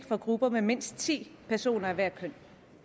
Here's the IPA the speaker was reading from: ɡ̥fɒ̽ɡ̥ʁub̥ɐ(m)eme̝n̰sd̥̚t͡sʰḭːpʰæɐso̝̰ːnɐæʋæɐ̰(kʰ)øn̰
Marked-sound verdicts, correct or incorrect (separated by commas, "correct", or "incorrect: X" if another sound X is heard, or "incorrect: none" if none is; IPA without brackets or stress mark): correct, correct